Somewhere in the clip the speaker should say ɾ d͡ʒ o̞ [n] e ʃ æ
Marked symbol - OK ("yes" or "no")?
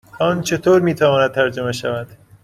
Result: no